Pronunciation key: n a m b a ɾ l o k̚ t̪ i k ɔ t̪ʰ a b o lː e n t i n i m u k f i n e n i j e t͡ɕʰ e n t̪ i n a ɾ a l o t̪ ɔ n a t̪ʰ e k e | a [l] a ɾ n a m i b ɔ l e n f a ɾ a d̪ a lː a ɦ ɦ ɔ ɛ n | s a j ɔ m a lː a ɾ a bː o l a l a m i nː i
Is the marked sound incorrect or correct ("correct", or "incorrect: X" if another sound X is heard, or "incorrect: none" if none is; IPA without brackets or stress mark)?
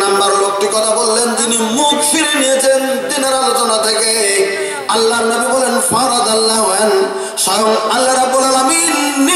incorrect: lː